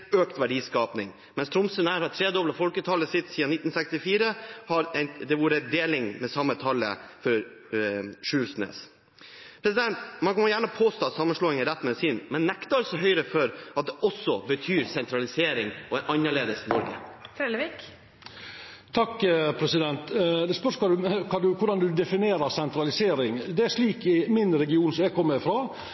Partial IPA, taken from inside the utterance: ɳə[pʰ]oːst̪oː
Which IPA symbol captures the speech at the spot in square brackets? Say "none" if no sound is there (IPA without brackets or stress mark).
pʰ